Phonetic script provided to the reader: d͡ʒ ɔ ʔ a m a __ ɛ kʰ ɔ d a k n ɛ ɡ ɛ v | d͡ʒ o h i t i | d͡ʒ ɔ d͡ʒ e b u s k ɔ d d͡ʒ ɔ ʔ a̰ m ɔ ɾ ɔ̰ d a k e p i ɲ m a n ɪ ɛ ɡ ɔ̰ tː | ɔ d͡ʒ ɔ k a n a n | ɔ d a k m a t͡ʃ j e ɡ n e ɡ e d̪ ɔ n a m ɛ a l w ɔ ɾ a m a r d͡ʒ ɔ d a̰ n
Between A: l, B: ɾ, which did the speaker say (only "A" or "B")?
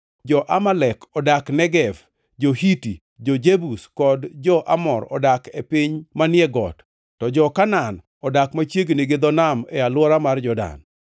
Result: A